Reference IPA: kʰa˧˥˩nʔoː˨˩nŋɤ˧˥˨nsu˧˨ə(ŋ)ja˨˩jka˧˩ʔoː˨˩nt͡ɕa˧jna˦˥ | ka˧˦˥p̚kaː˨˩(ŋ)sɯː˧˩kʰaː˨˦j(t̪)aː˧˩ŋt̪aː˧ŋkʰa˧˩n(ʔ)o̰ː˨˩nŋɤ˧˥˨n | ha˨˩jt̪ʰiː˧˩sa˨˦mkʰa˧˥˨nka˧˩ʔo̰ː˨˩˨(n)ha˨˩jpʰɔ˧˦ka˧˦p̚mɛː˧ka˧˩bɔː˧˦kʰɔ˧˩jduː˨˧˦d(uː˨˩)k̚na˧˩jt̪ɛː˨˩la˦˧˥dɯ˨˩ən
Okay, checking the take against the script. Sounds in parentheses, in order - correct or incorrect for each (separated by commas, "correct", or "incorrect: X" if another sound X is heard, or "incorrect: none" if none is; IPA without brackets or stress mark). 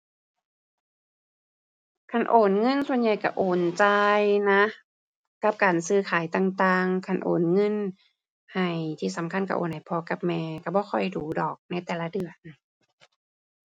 incorrect: n, incorrect: n, correct, correct, correct, incorrect: ɔː˨˩